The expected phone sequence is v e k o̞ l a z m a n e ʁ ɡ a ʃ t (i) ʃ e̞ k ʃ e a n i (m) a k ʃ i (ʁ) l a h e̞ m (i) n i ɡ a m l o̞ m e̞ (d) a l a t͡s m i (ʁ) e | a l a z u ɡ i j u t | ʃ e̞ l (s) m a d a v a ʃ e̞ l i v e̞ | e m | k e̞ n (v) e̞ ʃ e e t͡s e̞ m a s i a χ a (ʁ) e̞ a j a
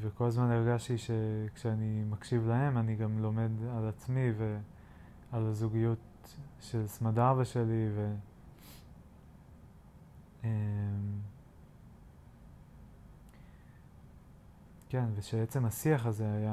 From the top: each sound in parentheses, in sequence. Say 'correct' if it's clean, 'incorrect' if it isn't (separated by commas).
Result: correct, correct, incorrect, incorrect, correct, incorrect, correct, correct, incorrect